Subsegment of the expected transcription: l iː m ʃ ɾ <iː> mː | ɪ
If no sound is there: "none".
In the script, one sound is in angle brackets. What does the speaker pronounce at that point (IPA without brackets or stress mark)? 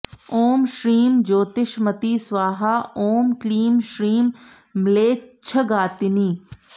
iː